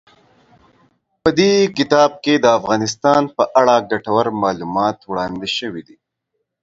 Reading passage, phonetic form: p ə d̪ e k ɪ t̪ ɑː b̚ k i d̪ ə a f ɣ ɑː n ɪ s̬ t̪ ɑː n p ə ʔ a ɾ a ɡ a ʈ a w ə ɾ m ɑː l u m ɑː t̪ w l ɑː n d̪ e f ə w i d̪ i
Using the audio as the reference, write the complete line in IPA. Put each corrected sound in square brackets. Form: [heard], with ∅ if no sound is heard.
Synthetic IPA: p ə d̪ e k ɪ t̪ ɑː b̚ k [e] d̪ ə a f ɣ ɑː n ɪ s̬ t̪ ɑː n p ə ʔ a [ɽ] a ɡ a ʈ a w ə ɾ m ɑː l u m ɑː t̪ w [ɽ] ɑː n d̪ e [ʃ] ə w i d̪ i